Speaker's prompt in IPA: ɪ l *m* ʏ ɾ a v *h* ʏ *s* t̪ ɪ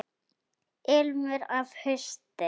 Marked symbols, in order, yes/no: yes, yes, yes

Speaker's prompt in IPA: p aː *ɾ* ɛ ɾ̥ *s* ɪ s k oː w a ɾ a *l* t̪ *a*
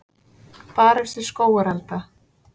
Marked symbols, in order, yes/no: yes, yes, yes, yes

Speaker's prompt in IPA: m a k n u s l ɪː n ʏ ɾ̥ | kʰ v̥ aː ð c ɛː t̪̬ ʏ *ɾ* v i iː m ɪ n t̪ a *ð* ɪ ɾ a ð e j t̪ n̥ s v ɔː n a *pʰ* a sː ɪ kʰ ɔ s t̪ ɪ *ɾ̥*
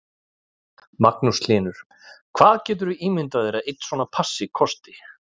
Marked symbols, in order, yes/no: yes, yes, yes, no

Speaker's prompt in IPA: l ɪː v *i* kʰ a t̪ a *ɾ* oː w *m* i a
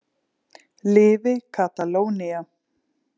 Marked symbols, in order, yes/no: no, no, no

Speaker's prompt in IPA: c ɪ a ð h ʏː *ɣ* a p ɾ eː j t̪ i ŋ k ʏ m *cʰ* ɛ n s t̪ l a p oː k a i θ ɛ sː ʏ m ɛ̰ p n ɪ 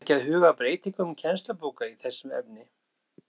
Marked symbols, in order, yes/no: yes, yes

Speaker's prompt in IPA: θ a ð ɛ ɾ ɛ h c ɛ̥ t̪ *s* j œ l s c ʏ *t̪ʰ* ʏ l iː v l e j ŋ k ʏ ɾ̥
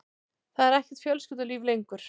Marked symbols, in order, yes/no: no, no

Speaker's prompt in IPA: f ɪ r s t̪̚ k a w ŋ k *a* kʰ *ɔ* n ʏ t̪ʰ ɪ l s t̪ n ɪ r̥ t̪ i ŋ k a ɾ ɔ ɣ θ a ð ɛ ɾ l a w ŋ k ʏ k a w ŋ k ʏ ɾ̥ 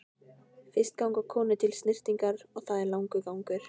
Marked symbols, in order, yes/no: yes, no

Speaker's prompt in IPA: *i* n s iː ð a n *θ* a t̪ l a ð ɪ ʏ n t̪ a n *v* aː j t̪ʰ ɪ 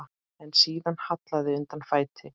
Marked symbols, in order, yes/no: no, no, no

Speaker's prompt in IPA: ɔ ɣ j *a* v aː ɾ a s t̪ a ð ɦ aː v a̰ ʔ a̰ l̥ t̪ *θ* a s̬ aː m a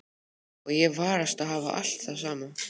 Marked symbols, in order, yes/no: no, yes

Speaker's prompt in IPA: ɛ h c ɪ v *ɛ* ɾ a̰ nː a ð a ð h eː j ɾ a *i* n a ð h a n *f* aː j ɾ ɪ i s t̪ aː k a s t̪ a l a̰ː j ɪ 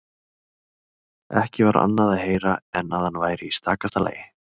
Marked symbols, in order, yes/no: no, no, no

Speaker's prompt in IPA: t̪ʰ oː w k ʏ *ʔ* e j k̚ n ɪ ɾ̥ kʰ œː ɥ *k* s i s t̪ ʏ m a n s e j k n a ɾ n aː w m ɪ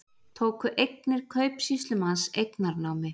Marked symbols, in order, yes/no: yes, no

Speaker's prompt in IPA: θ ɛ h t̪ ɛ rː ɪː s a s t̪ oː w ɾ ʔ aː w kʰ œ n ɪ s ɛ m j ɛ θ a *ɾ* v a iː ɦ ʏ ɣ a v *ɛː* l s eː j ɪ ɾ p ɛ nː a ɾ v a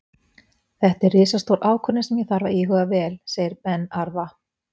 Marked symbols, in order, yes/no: yes, yes

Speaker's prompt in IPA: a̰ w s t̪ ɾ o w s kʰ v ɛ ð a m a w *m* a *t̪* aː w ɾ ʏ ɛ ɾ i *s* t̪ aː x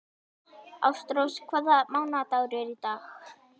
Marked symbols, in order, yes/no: no, yes, no

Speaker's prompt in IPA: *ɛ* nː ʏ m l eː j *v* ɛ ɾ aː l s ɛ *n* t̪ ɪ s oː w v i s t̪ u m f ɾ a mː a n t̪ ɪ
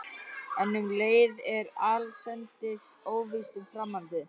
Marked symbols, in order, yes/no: yes, no, yes

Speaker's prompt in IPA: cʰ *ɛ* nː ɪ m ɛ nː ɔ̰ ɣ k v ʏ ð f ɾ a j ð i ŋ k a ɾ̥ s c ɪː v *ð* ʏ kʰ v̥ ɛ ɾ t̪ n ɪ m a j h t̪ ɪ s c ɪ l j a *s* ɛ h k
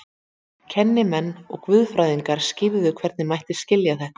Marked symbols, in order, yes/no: yes, yes, no

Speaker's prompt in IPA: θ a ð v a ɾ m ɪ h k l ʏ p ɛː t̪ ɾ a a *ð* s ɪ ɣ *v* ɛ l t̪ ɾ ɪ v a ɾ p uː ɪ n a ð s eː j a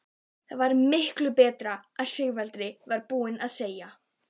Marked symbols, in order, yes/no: yes, yes

